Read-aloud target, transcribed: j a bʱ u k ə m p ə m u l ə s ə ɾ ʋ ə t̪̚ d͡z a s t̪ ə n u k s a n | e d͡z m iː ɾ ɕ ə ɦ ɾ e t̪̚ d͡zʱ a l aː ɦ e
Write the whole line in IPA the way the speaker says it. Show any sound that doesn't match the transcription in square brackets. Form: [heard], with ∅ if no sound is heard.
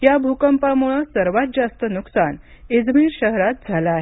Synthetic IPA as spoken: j a bʱ u k ə m p [a] m u [ɭ] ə s ə ɾ ʋ [a] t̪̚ d͡z a s t̪ ə n u k s a n | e d͡z m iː ɾ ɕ ə ɦ ɾ [a] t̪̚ d͡zʱ a l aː ɦ e